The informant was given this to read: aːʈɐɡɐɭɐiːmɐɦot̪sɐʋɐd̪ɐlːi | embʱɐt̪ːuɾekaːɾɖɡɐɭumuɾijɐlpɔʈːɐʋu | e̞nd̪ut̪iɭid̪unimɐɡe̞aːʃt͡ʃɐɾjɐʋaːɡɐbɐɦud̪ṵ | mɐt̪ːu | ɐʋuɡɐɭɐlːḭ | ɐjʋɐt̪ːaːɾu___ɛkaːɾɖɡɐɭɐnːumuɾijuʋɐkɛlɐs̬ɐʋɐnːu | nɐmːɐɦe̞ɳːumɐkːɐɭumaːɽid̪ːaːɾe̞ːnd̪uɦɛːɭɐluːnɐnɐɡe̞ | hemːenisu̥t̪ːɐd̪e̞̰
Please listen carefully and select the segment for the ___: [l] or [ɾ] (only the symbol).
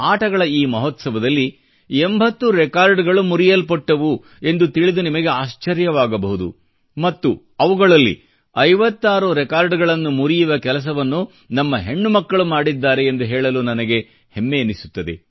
ɾ